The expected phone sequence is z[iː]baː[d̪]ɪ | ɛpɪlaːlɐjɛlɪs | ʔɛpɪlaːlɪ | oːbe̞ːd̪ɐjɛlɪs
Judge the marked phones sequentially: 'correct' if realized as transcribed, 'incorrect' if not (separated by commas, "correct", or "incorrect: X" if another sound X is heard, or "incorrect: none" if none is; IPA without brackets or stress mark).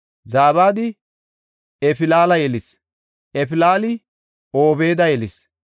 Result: incorrect: aː, correct